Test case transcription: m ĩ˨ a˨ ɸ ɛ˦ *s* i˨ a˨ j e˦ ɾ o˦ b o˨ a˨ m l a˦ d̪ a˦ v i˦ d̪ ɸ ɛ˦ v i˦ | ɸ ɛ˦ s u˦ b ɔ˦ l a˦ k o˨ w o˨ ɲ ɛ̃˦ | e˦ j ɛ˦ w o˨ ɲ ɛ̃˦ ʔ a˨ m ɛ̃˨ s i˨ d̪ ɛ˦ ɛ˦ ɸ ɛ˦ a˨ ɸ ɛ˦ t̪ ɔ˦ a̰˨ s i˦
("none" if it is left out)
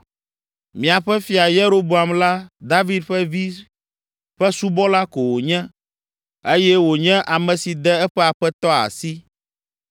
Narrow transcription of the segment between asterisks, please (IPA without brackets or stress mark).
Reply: f